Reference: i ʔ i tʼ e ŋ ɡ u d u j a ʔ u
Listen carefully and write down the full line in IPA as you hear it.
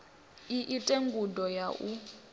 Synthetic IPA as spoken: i ʔ i tʼ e ŋ ɡ u d ɔ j a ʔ u

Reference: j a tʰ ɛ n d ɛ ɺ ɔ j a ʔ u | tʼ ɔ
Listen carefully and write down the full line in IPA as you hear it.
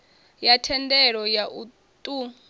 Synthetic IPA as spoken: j a tʰ ɛ n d ɛ ɺ ɔ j a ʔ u | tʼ u

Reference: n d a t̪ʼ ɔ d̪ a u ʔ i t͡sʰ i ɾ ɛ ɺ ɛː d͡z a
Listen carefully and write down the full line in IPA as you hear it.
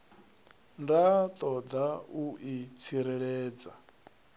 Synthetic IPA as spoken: n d a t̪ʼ ɔ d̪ a u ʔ i t͡sʰ i ɾ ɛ ɺ ɛː d͡z a

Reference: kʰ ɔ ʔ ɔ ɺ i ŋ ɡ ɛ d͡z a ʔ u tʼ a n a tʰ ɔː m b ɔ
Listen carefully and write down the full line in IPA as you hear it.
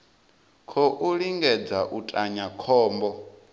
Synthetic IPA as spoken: kʰ ɔ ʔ u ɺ i ŋ ɡ ɛ d͡z a ʔ u tʼ a ɲ a kʰ ɔː m b ɔ

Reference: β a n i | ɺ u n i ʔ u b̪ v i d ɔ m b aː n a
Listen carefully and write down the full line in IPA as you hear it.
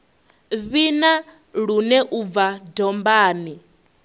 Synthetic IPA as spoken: β i n a | ɺ u n ɛ ʔ u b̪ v a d ɔ m b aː n i

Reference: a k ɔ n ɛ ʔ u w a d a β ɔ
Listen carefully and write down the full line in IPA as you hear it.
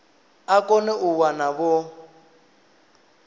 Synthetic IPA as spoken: a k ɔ n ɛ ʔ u w a n a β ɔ

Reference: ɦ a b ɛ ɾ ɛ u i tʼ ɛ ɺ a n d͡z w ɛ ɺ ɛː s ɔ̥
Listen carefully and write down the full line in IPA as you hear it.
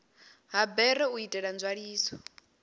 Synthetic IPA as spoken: ɦ a b ɛ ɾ ɛ u i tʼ ɛ ɺ a n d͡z w a ɺ iː s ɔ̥

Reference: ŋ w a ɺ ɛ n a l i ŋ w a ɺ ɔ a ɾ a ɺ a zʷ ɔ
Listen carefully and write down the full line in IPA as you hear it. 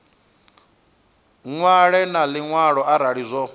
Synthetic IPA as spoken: ŋ w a ɺ ɛ n a l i ŋ w a ɺ ɔ a ɾ a ɺ i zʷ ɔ

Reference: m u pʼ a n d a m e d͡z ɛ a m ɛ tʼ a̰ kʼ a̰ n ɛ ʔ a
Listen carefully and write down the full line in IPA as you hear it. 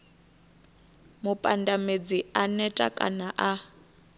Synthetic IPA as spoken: m u pʼ a n d a m e d͡z i a n ɛ tʼ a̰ kʼ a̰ n a ʔ a

